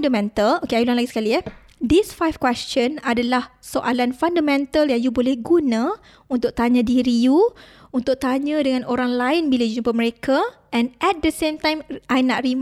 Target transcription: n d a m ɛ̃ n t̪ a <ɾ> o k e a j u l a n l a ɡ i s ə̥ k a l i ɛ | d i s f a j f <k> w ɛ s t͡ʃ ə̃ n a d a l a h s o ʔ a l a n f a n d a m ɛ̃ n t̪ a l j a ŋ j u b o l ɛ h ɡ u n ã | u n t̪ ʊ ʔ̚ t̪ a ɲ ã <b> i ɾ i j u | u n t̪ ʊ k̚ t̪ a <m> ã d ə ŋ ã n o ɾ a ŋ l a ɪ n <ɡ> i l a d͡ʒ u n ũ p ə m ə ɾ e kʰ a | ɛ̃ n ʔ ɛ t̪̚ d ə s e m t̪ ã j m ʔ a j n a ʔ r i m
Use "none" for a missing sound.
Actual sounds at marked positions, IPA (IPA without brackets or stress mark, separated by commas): l, k, d, ɲ, b